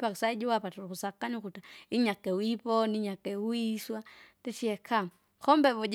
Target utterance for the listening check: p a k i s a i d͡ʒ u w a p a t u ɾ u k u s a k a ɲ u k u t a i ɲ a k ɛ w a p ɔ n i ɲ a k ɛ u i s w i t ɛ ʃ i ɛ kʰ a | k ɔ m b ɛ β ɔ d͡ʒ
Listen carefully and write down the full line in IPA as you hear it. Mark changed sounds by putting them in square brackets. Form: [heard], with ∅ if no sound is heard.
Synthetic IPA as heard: p a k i s a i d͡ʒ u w a p a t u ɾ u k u s a k a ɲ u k u t a i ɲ a k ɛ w [i] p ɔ n i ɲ a k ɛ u i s w [a] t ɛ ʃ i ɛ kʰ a | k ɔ m b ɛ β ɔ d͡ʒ